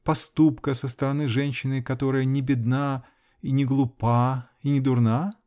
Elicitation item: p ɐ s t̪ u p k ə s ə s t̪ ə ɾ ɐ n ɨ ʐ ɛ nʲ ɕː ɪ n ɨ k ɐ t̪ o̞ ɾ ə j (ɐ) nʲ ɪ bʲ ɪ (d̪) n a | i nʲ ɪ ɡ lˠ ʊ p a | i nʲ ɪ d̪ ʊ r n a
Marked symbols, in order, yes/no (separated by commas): no, yes